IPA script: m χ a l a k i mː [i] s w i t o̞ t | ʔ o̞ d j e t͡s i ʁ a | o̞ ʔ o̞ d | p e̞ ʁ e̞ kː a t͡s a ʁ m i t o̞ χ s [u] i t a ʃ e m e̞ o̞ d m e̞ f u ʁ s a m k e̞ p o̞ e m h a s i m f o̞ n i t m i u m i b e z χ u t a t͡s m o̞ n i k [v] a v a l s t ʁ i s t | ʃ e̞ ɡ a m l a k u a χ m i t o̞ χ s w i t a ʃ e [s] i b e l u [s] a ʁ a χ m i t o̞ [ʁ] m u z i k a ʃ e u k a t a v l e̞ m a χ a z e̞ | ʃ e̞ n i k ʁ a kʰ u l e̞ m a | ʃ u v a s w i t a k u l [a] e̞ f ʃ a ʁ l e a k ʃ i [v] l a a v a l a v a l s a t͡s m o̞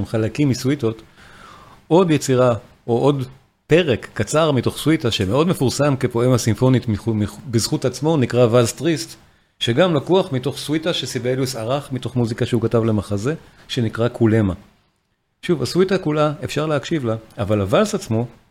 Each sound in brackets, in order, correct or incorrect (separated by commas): correct, incorrect, incorrect, correct, correct, incorrect, correct, correct